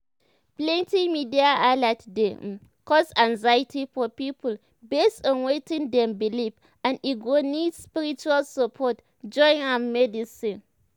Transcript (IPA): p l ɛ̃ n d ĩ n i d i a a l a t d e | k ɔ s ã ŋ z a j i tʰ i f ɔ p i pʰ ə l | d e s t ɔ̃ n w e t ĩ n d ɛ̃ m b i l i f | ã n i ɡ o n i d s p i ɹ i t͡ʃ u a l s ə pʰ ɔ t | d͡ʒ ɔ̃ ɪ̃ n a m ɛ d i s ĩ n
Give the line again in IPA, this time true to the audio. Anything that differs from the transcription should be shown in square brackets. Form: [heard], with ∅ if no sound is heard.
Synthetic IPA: p l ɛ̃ n [t] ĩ [m] i d i a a l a t d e | k ɔ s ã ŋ z a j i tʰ i f ɔ p i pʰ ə l | [b] e s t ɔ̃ n w e t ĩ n d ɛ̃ m b i l i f | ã n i ɡ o n i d s p i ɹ i t͡ʃ u a l s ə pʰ ɔ t | d͡ʒ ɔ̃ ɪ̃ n a m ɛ d i s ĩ n